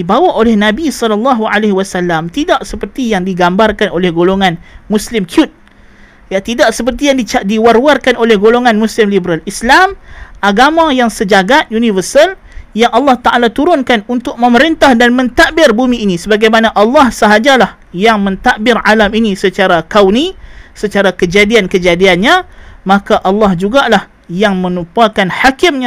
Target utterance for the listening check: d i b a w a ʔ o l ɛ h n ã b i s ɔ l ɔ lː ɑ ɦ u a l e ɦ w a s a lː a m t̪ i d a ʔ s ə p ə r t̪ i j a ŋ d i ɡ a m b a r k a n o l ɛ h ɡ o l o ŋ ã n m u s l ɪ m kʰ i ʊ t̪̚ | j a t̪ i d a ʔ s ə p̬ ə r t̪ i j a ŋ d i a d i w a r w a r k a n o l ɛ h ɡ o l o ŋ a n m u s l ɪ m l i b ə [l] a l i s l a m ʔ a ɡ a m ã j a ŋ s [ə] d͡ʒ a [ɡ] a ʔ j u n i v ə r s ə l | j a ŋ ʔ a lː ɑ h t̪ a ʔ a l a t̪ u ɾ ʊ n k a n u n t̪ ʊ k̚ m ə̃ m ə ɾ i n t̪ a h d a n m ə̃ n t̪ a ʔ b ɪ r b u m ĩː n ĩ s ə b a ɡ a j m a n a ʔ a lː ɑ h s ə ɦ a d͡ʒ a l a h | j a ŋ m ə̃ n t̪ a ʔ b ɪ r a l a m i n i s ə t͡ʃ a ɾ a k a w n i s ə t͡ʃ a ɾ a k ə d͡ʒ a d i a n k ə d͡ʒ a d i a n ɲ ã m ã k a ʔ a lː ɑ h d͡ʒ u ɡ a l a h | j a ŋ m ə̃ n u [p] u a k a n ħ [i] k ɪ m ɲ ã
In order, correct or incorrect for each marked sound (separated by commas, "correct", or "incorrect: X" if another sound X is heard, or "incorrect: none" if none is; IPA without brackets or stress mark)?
incorrect: ɾ, correct, correct, correct, incorrect: a